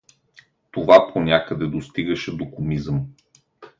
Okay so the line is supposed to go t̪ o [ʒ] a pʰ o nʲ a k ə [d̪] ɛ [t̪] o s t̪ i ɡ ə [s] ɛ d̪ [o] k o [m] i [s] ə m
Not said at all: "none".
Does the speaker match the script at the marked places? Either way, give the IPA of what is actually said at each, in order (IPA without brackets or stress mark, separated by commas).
v, d̪, d̪, ʃ, o, m, z